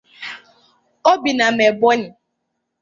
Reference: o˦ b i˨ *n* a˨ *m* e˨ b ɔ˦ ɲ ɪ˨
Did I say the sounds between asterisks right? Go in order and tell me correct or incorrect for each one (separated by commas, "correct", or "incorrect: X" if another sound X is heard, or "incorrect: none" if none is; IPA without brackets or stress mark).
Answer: correct, correct